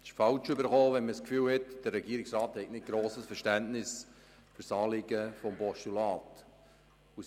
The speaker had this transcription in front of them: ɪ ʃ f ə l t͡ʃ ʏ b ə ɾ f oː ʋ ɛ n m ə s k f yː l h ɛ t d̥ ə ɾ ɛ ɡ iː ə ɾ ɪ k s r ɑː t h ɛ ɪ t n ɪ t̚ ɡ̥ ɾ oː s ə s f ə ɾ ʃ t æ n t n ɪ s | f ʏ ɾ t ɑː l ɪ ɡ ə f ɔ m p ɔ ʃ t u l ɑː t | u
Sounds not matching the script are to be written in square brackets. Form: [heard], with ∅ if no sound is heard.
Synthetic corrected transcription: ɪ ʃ f [ɑ] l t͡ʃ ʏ b ə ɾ [χ] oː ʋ ɛ n m ə s k f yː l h ɛ t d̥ ə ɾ ɛ ɡ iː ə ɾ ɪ k s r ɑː t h ɛ ɪ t n ɪ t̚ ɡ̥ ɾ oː s ə s f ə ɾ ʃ t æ n t n ɪ s | f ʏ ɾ [s] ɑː l ɪ ɡ ə f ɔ m p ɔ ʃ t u l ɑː t | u

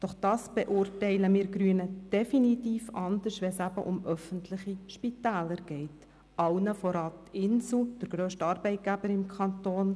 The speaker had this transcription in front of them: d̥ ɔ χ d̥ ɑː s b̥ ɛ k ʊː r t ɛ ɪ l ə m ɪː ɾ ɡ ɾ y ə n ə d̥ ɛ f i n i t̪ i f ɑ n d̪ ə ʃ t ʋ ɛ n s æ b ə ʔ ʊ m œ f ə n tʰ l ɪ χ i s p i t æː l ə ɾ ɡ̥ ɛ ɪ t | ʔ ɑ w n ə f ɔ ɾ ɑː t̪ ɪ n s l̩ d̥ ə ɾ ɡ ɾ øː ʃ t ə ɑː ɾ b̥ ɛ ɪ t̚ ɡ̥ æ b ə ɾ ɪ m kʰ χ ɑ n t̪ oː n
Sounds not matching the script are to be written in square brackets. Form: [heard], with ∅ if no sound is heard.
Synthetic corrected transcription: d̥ ɔ χ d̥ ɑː s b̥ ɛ [ʔ] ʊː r t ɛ ɪ l ə m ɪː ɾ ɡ ɾ y ə n ə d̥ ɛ f i n i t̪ [iː] f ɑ n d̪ ə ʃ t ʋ ɛ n s æ b ə ʔ ʊ m œ f ə n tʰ l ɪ χ i [ʃ] p i t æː l ə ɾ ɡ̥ ɛ ɪ t | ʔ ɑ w n ə f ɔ ɾ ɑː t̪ ɪ n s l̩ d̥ ə ɾ ɡ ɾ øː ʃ t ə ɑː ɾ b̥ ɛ ɪ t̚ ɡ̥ æ b ə ɾ ɪ m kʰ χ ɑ n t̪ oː n

